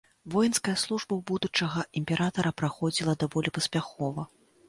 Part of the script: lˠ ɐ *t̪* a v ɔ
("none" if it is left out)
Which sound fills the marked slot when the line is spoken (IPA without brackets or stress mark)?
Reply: d̪